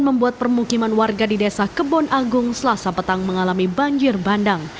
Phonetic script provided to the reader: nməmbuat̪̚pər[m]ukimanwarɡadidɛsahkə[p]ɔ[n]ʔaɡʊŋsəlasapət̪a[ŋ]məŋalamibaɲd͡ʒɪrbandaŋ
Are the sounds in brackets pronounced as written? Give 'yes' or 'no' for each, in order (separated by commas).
yes, no, yes, yes